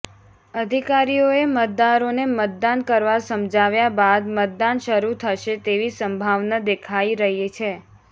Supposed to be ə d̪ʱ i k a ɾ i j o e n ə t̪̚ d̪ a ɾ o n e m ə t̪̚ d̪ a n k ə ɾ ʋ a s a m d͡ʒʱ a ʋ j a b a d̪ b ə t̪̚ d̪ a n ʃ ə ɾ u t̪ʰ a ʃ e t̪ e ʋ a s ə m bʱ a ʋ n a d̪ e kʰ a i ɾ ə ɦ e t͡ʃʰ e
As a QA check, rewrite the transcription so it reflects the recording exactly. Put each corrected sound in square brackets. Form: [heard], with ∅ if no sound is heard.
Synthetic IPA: ə d̪ʱ i k a ɾ i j o e [m] ə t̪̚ d̪ a ɾ o n e m ə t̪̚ d̪ a n k ə ɾ ʋ a s [ə] m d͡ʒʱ a ʋ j a b a d̪ [m] ə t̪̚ d̪ a n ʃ ə ɾ u t̪ʰ [ə] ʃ e t̪ e ʋ [i] s ə m bʱ a ʋ n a d̪ e kʰ a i ɾ ə ɦ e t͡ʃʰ e